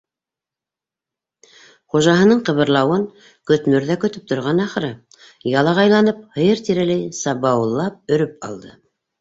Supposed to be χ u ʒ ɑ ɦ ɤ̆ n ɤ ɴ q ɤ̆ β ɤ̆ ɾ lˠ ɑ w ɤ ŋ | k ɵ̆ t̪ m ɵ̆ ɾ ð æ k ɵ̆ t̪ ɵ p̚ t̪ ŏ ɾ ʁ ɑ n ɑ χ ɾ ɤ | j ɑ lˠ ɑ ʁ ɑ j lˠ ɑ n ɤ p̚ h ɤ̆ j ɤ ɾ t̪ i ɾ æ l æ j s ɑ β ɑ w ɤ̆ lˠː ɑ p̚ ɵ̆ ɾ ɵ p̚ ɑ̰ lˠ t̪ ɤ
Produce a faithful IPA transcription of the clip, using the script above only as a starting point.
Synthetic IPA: χ u ʒ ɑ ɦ ɤ̆ n ɤ ɴ q ɤ̆ β ɤ̆ ɾ lˠ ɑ w ɤ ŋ | k ɵ̆ t̪ m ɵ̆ ɾ ð æ k ɵ̆ t̪ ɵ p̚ t̪ ŏ ɾ ʁ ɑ n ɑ χ ɾ ɤ | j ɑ lˠ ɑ ʁ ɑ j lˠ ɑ n ɤ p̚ h ɤ̆ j ɤ ɾ t̪ i ɾ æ l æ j s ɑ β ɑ w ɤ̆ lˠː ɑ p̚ ɵ̆ ɾ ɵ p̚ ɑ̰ lˠ d̪ ɤ